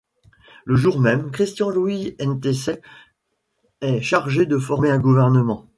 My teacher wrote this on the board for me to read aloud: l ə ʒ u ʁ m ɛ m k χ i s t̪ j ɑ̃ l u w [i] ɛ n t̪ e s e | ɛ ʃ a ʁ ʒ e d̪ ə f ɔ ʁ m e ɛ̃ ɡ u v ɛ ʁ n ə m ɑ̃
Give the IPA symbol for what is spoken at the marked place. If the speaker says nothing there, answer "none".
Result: i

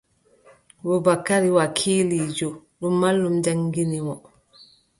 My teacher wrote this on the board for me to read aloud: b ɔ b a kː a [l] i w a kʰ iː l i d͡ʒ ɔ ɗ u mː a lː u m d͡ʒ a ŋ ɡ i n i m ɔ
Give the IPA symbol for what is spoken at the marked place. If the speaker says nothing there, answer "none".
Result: ɾ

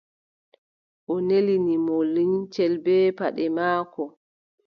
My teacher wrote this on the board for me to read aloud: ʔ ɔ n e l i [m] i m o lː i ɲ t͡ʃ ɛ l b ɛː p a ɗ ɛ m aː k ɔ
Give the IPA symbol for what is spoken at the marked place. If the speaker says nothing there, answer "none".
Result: n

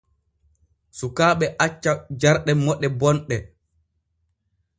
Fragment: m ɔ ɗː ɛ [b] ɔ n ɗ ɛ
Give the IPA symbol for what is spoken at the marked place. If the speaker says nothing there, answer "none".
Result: b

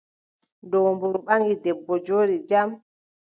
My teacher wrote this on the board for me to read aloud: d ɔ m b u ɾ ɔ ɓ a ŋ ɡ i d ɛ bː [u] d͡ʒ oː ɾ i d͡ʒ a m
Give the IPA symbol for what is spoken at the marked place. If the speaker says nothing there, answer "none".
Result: ɔ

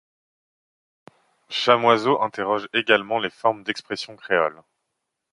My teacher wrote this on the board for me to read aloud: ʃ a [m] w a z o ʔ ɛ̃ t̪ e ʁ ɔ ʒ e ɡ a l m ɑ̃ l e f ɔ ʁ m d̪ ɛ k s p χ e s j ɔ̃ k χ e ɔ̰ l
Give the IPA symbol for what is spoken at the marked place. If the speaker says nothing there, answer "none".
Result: m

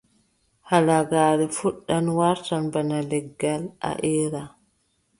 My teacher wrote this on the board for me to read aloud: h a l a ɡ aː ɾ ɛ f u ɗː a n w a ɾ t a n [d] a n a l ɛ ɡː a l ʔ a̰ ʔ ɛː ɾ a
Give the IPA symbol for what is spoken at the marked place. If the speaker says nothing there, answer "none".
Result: b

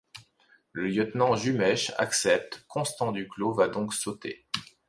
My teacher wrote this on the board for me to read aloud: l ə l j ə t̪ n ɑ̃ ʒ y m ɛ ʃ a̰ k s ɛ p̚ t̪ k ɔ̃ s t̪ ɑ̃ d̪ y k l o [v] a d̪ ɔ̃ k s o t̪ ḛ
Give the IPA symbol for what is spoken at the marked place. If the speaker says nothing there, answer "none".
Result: v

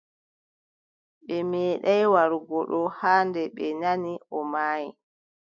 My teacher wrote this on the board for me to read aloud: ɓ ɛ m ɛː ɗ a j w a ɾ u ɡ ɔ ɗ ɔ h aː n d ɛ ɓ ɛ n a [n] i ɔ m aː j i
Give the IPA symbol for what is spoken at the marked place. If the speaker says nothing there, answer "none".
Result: n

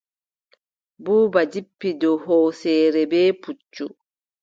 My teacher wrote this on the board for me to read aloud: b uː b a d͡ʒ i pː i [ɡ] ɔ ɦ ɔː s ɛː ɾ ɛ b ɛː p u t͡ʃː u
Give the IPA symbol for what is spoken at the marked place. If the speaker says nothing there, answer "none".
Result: d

